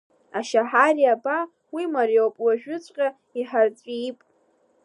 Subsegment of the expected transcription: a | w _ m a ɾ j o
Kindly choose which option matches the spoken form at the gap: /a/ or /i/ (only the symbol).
i